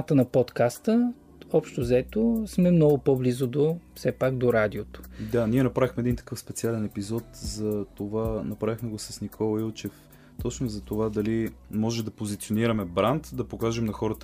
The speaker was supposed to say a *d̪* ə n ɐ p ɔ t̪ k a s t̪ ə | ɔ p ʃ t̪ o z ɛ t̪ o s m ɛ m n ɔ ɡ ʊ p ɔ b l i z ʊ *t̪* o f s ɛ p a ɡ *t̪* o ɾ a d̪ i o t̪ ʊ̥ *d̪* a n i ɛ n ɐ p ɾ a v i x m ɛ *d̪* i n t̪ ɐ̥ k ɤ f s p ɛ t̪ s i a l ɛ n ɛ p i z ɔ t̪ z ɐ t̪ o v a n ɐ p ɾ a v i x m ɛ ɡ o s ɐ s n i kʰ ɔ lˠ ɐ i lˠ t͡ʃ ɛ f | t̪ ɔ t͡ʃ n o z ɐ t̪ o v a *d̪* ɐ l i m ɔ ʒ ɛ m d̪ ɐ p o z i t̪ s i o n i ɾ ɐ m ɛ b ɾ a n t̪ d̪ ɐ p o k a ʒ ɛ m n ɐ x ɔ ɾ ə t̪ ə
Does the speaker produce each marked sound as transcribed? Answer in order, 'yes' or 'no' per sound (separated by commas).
no, no, no, yes, yes, yes